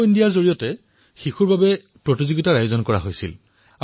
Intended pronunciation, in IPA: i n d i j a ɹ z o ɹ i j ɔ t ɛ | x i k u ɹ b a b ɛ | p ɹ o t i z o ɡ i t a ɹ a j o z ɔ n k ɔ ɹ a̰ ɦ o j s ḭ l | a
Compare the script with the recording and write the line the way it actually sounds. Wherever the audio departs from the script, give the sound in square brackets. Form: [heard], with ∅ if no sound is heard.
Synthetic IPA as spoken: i n d i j a ɹ z o ɹ i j ɔ t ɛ | x i [x] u ɹ b a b ɛ | p ɹ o t i z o ɡ i t a ɹ a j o z ɔ n k ɔ ɹ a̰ ɦ o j s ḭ l | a

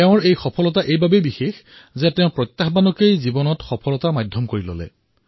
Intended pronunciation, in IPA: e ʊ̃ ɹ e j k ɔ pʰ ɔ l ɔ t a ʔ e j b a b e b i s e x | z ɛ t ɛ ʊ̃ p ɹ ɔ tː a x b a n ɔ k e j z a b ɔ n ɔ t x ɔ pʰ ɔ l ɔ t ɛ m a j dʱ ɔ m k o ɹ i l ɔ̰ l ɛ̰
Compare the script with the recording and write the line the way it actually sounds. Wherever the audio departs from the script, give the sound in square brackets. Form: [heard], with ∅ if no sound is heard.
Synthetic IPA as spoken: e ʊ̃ ɹ e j [x] ɔ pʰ ɔ l ɔ t a ʔ e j b a b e b i [x] e x | z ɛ t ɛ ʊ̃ p ɹ ɔ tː a x b a n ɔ k e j z [i] b ɔ n ɔ t x ɔ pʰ ɔ l ɔ t [a] m a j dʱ ɔ m k o ɹ i l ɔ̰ l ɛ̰

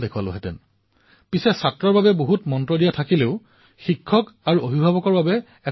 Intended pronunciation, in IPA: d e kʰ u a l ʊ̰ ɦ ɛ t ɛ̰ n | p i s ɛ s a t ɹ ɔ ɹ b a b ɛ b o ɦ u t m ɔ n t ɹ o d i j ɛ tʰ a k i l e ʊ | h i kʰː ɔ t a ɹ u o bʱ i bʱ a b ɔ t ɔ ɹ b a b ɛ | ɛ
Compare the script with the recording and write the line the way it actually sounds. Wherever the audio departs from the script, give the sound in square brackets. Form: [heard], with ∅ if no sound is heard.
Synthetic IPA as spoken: d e kʰ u a l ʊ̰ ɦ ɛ t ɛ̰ n | p i s ɛ s a t ɹ ɔ ɹ b a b ɛ b o ɦ u t m ɔ n t ɹ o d i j [a] tʰ a k i l e ʊ | [x] i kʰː ɔ [k] a ɹ u o bʱ i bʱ a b ɔ [k] ɔ ɹ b a b ɛ | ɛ

